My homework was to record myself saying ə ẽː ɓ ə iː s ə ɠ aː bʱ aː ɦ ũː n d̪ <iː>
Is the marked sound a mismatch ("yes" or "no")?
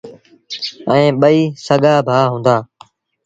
yes